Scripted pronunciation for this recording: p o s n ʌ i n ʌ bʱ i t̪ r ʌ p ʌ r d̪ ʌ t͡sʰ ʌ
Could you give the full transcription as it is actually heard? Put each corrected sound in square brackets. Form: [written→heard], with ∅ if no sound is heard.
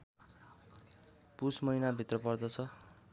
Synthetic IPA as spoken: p [o→u] s [n→m] ʌ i n [ʌ→a] bʱ i t̪ r ʌ p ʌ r d̪ ʌ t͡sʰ ʌ